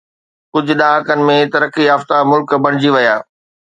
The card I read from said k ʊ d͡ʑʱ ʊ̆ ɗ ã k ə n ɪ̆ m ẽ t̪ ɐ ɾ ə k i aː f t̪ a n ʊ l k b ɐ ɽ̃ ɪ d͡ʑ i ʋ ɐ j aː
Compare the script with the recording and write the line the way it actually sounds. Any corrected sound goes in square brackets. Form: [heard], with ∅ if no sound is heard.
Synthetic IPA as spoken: k ʊ d͡ʑʱ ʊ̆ ɗ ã k ə n ɪ̆ m ẽ t̪ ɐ ɾ ə k i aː f t̪ a [m] ʊ l k b ɐ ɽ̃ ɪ d͡ʑ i ʋ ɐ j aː